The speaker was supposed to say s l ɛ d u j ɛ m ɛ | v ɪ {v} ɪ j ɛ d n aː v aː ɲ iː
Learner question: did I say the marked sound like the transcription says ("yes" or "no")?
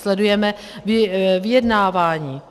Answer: yes